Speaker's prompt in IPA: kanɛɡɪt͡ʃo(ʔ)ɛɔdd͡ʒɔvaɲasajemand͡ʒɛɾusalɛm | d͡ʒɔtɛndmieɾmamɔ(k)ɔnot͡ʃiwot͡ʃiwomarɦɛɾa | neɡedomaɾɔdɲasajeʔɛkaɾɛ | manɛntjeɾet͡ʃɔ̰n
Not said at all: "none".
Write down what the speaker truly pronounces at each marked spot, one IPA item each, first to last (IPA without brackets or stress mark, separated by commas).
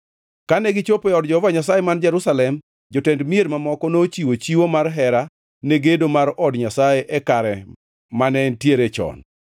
p, k